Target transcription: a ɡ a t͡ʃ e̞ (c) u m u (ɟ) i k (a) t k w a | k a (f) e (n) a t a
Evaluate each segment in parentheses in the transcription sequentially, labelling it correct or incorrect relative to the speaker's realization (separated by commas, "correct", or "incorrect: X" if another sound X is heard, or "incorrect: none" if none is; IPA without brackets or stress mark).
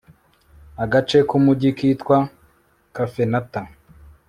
incorrect: k, correct, incorrect: i, correct, correct